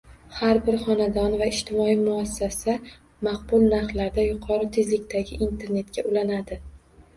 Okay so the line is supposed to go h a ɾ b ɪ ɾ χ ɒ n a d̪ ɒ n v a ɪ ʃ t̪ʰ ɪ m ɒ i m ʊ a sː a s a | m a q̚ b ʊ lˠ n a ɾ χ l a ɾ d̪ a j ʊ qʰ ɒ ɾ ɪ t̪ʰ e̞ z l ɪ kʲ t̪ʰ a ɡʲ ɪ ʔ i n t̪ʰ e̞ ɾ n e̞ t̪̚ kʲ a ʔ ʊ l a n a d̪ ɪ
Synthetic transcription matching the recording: h a ɾ b ɪ ɾ χ ɒ n a d̪ ɒ n v a ɪ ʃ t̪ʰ ɪ m ɒ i m ʊ a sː a s a | m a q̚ b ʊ lˠ n a ɾ χ l a ɾ d̪ a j ʊ qʰ ɒ ɾ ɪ t̪ʰ e̞ z l ɪ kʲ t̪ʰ a ɡʲ ɪ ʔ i n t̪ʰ e̞ ɾ n e̞ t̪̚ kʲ a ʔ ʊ l a n a d̪ ɪ